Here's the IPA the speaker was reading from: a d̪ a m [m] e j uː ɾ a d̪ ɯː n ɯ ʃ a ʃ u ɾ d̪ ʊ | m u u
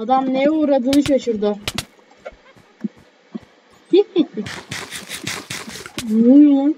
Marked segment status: incorrect: n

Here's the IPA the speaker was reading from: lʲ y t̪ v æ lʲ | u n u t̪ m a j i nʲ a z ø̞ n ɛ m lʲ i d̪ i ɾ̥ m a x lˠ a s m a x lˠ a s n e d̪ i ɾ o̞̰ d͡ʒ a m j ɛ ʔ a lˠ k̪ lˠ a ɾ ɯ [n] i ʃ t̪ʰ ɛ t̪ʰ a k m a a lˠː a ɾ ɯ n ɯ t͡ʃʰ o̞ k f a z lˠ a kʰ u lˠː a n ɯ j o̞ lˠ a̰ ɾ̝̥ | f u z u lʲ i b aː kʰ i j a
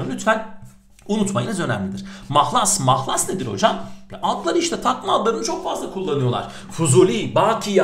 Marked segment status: incorrect: none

